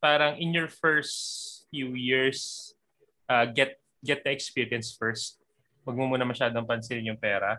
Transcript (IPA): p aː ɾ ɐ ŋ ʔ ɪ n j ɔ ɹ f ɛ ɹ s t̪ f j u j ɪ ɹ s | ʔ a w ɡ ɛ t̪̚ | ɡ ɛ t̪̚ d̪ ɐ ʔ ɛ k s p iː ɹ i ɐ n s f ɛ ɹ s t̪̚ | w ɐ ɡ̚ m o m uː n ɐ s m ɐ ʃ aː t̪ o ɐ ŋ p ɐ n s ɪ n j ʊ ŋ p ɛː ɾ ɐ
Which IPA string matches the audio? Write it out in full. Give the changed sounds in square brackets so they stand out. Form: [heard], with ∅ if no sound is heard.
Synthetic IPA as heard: p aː ɾ ɐ ŋ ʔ ɪ n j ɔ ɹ f ɛ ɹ s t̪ f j u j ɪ ɹ s | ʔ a [∅] ɡ ɛ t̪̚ | ɡ ɛ t̪̚ d̪ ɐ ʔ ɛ k s p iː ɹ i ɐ n s f ɛ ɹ s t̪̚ | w ɐ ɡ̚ m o m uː n ɐ [∅] m ɐ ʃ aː [d̪] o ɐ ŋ p ɐ n s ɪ n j ʊ ŋ p ɛː ɾ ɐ